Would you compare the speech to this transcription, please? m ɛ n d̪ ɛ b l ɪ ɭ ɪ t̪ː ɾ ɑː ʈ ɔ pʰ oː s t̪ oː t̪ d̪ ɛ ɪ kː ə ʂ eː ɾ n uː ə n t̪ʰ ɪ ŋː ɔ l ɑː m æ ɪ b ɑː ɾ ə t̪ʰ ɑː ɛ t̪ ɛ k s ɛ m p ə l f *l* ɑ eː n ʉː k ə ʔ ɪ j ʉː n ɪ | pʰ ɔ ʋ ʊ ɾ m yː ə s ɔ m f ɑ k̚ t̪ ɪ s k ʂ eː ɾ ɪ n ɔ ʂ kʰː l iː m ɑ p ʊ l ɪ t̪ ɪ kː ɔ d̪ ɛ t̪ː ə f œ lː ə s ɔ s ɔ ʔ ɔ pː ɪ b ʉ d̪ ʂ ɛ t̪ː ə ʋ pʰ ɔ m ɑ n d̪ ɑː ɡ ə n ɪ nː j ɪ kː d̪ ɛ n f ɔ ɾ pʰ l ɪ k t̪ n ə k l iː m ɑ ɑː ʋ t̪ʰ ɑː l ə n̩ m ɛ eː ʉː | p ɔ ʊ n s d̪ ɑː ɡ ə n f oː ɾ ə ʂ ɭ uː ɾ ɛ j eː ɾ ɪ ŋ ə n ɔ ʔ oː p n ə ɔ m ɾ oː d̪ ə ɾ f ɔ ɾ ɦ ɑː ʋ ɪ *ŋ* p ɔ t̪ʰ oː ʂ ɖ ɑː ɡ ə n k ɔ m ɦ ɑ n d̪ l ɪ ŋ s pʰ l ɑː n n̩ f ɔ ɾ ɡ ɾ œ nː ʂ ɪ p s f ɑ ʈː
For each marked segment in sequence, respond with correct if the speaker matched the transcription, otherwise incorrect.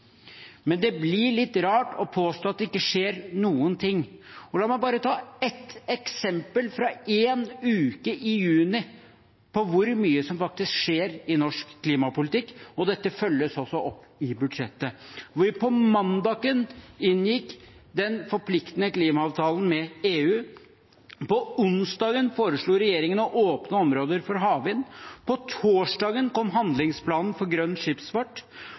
incorrect, incorrect

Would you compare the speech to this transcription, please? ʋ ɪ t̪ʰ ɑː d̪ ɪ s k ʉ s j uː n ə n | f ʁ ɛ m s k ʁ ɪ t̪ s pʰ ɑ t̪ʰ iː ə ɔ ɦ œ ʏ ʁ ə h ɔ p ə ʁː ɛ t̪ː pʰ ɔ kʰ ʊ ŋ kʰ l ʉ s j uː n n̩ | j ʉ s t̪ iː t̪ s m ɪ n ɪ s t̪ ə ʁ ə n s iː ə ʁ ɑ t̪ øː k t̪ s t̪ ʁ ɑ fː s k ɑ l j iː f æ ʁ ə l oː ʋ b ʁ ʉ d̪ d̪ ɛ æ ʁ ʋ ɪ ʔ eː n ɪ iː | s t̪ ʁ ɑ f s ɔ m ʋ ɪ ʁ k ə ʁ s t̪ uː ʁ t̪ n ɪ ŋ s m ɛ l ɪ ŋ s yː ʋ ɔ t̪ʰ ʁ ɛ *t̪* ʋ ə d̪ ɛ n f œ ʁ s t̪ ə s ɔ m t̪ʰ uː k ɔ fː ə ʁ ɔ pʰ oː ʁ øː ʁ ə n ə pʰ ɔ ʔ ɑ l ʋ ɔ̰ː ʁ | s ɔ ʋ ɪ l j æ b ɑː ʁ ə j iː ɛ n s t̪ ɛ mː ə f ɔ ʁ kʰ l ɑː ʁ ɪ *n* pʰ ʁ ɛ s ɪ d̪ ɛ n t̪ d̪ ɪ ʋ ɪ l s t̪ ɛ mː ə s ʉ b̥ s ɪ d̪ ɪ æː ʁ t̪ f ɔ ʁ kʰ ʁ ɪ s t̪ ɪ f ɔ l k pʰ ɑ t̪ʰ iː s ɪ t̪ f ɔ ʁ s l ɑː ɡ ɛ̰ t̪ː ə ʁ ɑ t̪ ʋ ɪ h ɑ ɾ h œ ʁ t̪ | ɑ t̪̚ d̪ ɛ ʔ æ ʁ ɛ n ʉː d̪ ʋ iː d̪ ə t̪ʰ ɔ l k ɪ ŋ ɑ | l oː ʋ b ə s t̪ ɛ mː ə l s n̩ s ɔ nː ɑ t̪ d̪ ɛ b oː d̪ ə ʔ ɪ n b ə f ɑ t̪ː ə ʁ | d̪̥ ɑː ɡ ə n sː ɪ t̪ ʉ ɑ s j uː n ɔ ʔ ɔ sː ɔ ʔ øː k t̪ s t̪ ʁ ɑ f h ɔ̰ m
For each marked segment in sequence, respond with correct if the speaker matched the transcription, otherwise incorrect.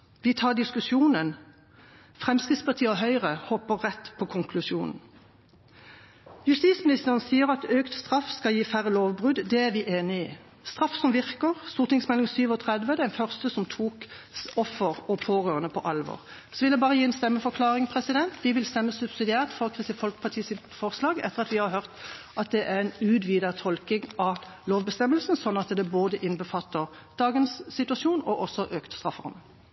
incorrect, incorrect

